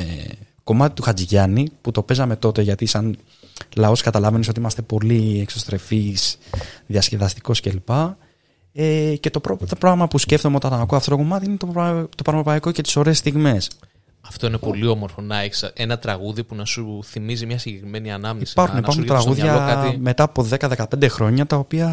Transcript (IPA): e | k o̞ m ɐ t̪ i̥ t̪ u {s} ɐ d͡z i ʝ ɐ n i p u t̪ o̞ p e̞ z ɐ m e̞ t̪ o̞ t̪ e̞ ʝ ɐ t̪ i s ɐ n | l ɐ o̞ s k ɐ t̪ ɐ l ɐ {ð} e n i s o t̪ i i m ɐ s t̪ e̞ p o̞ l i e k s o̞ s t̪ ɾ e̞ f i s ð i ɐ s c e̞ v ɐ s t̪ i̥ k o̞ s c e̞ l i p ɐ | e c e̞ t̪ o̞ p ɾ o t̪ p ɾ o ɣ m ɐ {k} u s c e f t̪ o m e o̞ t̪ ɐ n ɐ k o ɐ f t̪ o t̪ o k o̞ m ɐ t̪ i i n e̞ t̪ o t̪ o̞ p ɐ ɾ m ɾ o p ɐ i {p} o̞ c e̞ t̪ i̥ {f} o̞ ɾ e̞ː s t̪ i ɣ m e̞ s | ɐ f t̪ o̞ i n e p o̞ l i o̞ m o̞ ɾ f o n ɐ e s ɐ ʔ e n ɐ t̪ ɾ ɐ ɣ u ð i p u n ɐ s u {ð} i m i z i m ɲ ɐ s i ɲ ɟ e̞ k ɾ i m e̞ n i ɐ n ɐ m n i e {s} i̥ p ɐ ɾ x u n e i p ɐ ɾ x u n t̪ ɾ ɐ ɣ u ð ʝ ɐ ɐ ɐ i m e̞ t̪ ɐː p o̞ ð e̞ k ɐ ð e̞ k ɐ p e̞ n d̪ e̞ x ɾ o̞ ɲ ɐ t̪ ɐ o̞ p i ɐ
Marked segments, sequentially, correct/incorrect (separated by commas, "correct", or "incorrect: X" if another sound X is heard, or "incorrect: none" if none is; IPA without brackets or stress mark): incorrect: x, incorrect: v, incorrect: p, incorrect: k, incorrect: s, incorrect: θ, correct